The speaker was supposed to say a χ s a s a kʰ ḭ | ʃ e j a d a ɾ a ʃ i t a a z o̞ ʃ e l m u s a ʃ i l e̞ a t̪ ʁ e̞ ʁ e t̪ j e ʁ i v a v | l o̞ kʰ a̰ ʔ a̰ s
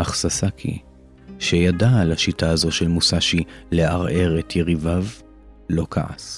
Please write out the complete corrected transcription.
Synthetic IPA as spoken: a χ s a s a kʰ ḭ | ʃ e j a d a l a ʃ i t a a z o̞ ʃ e l m u s a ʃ i l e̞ a ʁ e̞ ʁ e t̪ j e ʁ i v a v | l o̞ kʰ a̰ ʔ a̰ s